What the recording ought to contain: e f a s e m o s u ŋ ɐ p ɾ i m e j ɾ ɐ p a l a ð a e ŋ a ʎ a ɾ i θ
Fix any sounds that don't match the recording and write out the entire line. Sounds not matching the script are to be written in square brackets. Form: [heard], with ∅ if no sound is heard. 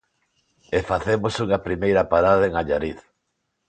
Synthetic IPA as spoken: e f a [θ] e m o s u ŋ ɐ p ɾ i m e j ɾ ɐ p a [ɾ] a ð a e ŋ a ʎ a ɾ i θ